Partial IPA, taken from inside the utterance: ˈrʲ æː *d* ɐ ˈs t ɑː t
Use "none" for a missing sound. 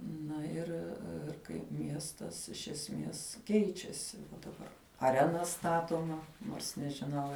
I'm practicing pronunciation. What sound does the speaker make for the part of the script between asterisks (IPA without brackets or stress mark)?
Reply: n